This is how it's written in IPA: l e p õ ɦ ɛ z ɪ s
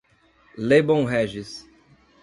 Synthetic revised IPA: l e b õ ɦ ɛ ʒ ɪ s